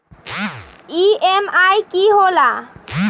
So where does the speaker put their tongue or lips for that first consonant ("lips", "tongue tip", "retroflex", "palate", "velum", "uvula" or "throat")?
lips